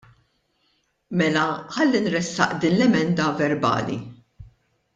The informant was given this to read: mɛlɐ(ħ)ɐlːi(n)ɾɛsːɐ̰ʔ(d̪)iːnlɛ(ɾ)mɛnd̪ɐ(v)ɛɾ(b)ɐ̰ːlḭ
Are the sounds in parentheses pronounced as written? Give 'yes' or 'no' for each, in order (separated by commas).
yes, yes, yes, no, yes, yes